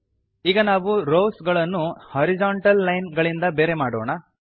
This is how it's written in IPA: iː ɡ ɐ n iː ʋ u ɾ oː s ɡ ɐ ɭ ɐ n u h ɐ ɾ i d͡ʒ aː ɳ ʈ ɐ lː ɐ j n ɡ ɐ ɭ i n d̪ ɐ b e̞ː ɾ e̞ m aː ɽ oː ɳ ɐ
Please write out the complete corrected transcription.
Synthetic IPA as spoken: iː ɡ ɐ n aː ʋ u ɾ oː s ɡ ɐ ɭ ɐ nː u h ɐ ɾ i d͡ʒ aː ɳ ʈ ɐ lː ɐ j n ɡ ɐ ɭ i n d̪ ɐ b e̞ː ɾ e̞ m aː ɽ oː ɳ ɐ